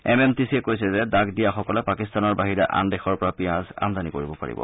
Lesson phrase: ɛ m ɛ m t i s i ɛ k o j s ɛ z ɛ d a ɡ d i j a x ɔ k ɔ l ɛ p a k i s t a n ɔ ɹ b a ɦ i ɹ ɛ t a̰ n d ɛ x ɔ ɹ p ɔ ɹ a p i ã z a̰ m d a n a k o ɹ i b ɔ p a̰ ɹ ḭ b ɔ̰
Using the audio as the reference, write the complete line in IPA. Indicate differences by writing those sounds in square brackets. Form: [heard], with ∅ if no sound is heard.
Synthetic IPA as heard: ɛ m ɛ m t i s i ɛ k o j s ɛ z ɛ d a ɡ d i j a x ɔ k ɔ l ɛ p a k i s t a n ɔ ɹ b a ɦ i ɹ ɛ [ʔ] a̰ n d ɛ x ɔ ɹ p ɔ ɹ a p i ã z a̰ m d a n [i] k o ɹ i b ɔ p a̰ ɹ ḭ b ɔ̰